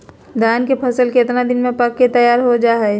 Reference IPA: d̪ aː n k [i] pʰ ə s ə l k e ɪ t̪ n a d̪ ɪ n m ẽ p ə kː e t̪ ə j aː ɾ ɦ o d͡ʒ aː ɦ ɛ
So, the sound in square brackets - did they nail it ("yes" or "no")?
no